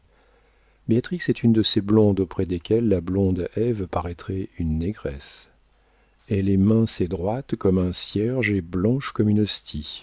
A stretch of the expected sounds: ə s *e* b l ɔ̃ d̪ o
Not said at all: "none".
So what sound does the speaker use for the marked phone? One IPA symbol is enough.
e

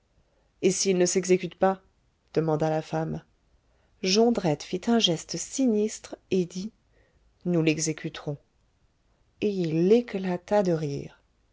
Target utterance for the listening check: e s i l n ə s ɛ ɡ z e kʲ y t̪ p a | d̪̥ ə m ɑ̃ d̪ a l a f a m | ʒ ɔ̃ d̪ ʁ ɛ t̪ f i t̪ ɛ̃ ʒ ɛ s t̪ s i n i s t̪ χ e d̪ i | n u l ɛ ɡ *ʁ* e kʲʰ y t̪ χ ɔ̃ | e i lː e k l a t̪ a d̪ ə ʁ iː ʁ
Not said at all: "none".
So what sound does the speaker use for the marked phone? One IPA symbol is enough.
z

